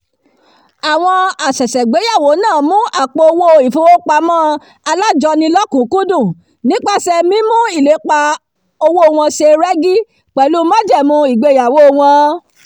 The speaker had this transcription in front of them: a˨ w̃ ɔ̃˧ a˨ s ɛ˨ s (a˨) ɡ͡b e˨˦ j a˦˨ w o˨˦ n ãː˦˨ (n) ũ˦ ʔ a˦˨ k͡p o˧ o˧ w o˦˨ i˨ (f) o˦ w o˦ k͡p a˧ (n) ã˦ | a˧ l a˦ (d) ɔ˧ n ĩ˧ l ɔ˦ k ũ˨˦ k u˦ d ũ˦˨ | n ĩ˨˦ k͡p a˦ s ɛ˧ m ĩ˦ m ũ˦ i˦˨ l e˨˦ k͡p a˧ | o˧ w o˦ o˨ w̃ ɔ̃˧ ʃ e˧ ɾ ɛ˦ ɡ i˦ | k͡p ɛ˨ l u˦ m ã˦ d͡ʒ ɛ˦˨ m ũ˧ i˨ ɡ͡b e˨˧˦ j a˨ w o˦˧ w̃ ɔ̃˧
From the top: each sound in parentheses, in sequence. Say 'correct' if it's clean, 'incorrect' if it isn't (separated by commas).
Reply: incorrect, incorrect, correct, incorrect, incorrect